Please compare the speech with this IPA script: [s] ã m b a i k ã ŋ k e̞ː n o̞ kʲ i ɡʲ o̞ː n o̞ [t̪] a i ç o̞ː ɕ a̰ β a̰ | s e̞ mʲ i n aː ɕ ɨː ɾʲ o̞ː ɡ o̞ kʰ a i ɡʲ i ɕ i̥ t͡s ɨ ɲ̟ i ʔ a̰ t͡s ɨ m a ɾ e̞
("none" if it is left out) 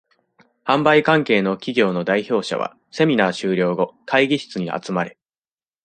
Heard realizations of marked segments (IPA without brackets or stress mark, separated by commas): h, d̪